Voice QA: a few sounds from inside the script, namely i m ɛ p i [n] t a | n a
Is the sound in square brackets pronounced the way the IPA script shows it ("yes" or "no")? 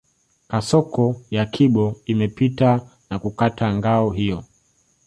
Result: no